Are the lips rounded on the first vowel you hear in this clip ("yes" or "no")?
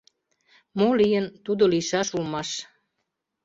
yes